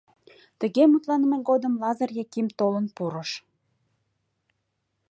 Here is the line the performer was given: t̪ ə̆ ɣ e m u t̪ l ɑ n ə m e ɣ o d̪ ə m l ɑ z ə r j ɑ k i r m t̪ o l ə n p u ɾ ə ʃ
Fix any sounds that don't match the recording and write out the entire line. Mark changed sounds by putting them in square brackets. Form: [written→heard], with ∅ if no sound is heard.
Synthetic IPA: t̪ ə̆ ɣ e m u t̪ l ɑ n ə m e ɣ o d̪ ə m l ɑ z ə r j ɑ k i [r→∅] m t̪ o l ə n p u ɾ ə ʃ